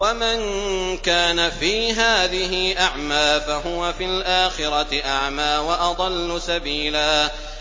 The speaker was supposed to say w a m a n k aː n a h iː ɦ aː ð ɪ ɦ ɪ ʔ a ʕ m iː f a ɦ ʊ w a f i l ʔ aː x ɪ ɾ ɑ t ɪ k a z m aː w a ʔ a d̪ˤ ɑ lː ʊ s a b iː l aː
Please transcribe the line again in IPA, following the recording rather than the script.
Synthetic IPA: w a m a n k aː n a f iː ɦ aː ð ɪ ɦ ɪ ʔ a ʕ m aː f a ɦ ʊ w a f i l ʔ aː x ɪ ɾ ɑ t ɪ ʔ a ʕ m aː w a ʔ ɑ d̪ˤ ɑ lː ʊ s a b iː l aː